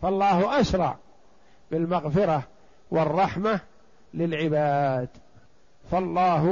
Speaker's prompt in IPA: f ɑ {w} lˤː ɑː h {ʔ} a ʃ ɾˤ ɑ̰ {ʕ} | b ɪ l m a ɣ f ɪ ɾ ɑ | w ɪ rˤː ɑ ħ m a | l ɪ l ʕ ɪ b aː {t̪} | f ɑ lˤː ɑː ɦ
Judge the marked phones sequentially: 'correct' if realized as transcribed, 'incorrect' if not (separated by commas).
incorrect, correct, correct, incorrect